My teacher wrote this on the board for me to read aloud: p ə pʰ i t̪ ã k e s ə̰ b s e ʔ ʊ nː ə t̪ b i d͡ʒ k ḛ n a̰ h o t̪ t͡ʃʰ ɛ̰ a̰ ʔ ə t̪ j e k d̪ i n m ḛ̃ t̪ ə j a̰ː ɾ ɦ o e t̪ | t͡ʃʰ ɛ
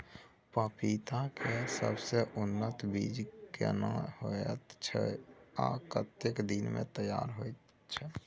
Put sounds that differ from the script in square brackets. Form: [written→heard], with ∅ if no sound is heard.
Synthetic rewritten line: p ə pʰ i t̪ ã k e s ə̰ b s e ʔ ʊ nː ə t̪ b i d͡ʒ k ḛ n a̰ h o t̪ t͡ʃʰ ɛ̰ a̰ [ʔ→k] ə t̪ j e k d̪ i n m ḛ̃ t̪ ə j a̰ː ɾ ɦ o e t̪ | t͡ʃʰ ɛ